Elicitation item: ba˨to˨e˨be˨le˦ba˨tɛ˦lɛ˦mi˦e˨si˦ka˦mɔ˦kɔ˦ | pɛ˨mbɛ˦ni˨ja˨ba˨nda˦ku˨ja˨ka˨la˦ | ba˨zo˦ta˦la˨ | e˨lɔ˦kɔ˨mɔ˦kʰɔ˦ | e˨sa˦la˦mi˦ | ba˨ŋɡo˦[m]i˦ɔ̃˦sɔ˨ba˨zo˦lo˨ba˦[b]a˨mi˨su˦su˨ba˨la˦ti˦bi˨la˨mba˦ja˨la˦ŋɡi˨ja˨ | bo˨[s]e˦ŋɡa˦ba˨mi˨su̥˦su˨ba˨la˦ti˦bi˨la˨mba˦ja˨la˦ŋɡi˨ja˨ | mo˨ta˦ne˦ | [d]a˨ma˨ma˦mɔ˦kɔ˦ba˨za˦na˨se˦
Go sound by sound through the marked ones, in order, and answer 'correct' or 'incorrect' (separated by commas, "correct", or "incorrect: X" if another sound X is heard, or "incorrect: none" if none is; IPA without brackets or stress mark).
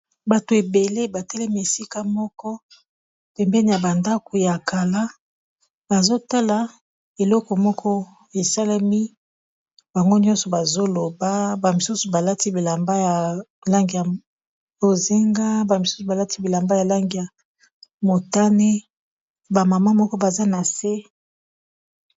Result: incorrect: n, correct, incorrect: z, incorrect: b